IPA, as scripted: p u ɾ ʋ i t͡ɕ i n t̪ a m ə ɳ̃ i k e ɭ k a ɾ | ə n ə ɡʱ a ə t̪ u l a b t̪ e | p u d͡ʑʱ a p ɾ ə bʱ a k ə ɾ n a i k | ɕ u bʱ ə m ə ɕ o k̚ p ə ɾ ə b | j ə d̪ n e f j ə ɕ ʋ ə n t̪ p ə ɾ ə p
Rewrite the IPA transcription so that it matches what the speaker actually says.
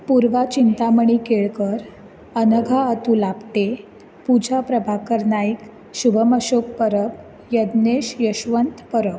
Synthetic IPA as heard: p u ɾ ʋ a t͡ɕ i n t̪ a m ə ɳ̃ i k e ɭ k ə ɾ | ə n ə ɡʱ a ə t̪ u l a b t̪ e | p u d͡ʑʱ a p ɾ ə bʱ a k ə ɾ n a i k | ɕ u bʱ ə m ə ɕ o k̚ p ə ɾ ə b | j ə d̪ n e ɕ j ə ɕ ʋ ə n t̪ p ə ɾ ə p